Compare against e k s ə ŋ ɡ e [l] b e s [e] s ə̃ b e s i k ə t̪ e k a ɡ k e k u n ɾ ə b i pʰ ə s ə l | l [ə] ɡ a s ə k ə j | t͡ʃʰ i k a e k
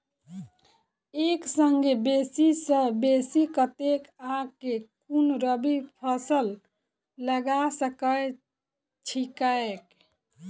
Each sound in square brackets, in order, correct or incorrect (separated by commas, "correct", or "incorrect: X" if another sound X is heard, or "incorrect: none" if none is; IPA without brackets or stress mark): incorrect: none, incorrect: i, correct